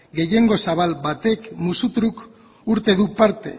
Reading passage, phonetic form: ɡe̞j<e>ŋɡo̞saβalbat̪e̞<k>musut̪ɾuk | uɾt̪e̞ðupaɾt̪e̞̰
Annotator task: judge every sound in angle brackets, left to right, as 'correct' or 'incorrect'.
correct, correct

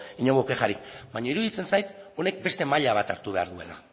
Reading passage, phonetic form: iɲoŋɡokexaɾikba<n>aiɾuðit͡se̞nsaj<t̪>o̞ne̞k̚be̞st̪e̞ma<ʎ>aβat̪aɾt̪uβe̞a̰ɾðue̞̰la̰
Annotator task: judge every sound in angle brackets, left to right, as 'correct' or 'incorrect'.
incorrect: ɲ, correct, correct

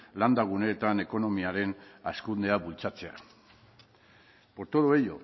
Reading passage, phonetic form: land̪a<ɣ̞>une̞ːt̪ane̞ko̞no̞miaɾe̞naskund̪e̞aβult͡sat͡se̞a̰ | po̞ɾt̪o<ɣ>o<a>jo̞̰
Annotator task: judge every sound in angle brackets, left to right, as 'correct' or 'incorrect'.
correct, incorrect: ð, incorrect: e

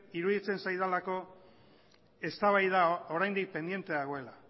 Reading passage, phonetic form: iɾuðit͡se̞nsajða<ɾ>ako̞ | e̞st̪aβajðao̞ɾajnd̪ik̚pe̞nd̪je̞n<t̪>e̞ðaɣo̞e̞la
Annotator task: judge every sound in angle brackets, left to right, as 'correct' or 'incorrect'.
incorrect: l, correct

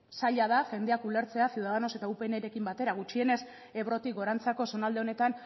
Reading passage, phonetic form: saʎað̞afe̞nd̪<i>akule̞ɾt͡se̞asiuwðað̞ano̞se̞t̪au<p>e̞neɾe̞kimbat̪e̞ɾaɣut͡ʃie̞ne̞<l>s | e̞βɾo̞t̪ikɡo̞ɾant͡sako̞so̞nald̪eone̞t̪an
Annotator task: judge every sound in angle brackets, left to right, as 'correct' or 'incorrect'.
incorrect: e, correct, incorrect: none

